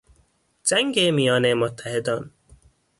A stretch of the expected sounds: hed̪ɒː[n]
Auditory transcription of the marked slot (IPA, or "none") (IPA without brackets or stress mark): n